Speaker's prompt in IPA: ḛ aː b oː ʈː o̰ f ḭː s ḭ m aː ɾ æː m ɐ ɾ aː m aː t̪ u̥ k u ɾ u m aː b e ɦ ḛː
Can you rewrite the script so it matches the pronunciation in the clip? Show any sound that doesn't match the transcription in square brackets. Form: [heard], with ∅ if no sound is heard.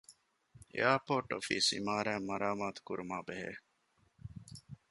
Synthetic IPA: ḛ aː [p] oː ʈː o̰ f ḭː s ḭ m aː ɾ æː m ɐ ɾ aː m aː t̪ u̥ k u ɾ u m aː b e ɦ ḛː